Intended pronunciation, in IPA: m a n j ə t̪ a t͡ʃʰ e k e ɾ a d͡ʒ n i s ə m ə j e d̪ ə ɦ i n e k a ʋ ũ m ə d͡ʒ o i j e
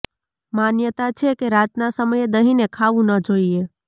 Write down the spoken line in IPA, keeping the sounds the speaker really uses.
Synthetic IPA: m a n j ə t̪ a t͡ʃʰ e k e ɾ a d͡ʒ n a s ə m ə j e d̪ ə ɦ i n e kʰ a ʋ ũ n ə d͡ʒ o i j e